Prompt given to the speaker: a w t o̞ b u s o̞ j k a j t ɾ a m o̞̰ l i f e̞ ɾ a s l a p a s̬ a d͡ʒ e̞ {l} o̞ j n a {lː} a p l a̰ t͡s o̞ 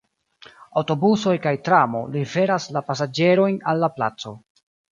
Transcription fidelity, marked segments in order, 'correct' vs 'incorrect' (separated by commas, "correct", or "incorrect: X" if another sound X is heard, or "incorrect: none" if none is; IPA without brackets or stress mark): incorrect: ɾ, correct